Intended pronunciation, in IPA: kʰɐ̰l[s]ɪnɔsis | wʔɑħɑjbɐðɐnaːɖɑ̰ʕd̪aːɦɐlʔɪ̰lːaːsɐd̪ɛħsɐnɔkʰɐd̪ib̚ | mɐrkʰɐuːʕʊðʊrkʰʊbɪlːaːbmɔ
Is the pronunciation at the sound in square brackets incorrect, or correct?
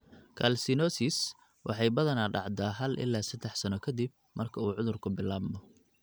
correct